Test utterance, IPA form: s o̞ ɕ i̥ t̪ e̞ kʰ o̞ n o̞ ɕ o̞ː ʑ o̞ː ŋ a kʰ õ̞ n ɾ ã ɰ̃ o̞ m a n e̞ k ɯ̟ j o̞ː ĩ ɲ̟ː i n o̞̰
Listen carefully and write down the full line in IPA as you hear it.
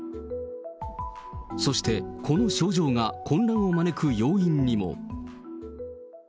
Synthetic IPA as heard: s o̞ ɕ i̥ t̪ e̞ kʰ o̞ n o̞ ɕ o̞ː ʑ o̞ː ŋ a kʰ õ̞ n ɾ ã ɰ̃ o̞ m a n e̞ k ɯ̟ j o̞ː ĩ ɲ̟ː i m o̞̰